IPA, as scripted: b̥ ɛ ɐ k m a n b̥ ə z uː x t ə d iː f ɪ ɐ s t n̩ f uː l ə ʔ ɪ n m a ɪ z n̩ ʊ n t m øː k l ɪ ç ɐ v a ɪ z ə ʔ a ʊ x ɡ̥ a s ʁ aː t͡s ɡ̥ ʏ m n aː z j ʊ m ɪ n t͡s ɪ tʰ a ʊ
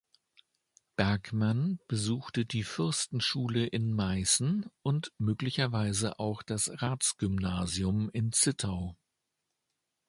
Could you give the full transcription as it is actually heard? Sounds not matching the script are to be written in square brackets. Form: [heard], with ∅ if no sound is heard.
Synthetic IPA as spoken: b̥ ɛ ɐ k m a n b̥ ə z uː x t ə d iː f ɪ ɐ s t n̩ [ʃ] uː l ə ʔ ɪ n m a ɪ [s] n̩ ʊ n t m øː k l ɪ ç ɐ v a ɪ z ə ʔ a ʊ x [d̥] a s ʁ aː t͡s ɡ̥ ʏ m n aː z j ʊ m ɪ n t͡s ɪ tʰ a ʊ